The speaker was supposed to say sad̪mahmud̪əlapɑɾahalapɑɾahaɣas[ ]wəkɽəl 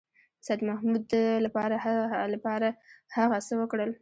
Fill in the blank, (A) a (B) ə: B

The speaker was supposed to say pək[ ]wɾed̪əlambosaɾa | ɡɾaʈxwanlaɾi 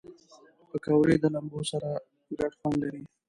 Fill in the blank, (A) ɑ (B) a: B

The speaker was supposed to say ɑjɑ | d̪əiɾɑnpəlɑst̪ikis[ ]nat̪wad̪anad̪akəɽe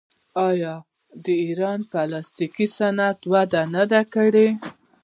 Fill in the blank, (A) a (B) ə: A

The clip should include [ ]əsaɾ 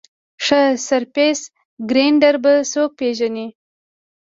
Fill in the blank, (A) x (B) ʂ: B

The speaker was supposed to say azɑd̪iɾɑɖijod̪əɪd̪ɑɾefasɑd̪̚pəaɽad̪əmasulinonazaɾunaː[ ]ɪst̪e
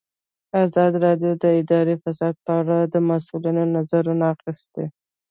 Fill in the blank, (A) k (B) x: B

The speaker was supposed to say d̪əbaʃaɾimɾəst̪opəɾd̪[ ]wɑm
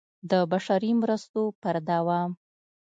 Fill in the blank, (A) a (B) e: A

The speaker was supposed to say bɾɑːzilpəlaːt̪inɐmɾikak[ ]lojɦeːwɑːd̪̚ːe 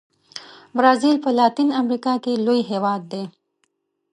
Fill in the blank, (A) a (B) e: B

